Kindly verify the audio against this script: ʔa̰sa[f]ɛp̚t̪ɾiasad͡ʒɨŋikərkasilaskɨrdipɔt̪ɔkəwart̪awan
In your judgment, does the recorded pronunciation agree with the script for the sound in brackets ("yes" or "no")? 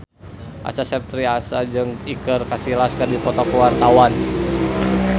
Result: no